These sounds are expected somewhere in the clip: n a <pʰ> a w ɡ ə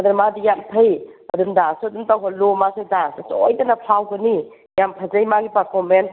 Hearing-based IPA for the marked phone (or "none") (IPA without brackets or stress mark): pʰ